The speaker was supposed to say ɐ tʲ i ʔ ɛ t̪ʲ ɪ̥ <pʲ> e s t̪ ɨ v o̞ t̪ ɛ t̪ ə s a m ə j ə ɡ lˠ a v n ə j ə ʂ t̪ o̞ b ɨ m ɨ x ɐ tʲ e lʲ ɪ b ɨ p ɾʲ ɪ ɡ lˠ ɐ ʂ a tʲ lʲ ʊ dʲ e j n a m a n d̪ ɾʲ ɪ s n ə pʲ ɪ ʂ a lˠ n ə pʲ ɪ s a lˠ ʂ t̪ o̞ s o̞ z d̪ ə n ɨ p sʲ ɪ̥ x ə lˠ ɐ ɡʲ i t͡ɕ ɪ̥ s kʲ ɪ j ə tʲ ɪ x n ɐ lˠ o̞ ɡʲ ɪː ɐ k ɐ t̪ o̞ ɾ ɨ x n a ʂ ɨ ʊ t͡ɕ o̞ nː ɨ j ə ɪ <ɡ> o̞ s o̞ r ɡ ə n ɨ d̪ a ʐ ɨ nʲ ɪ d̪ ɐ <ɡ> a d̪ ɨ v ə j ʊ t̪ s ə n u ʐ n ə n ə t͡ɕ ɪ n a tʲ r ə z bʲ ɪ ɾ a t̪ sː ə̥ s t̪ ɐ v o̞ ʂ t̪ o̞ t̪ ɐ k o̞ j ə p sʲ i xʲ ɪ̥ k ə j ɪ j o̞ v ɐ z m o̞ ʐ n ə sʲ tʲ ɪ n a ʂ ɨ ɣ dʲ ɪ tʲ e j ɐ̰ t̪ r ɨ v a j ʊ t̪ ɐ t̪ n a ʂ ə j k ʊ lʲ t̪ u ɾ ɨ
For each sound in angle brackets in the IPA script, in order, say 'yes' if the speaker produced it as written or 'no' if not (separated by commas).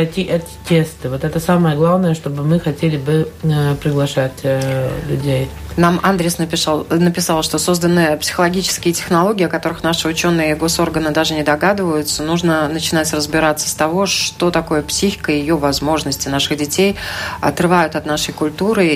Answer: no, yes, yes